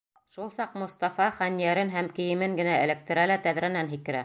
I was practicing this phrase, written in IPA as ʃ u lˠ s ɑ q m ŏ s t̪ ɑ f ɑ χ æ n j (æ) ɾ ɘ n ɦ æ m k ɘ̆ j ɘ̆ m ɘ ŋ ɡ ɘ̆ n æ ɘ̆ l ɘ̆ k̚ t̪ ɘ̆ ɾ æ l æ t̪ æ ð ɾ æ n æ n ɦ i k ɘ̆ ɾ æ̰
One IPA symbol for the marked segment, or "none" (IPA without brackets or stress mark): æ